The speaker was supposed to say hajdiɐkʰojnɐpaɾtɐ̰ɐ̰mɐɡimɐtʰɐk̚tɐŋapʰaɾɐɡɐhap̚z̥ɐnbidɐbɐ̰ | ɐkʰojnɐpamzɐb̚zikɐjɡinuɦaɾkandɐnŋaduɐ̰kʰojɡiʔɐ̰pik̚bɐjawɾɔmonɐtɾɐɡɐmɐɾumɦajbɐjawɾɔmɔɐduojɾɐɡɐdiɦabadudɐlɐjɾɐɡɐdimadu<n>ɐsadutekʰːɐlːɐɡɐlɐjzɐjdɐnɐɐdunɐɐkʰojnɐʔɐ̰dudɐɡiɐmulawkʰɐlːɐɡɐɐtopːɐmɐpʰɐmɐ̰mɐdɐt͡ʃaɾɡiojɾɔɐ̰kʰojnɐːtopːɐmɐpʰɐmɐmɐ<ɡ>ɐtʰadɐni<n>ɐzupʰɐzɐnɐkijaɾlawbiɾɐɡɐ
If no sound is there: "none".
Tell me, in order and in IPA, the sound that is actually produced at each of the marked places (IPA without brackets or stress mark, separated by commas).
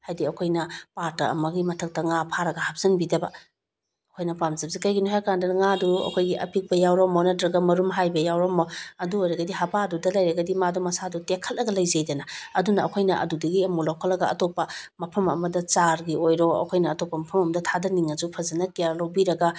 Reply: m, d, ŋ